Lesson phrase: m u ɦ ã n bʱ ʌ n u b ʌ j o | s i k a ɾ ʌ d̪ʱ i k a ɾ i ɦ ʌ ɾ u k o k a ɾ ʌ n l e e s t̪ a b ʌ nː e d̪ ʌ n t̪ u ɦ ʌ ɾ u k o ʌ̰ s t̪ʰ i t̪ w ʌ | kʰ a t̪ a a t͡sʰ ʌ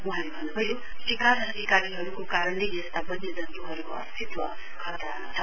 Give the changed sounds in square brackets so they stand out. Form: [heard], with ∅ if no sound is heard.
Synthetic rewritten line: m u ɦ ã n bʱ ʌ n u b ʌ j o | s i k a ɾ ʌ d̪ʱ i k a ɾ i ɦ ʌ ɾ u k o k a ɾ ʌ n l e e s t̪ a b ʌ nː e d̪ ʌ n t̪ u ɦ ʌ ɾ u k o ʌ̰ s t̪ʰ i t̪ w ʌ | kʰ [ʌ] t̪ a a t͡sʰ ʌ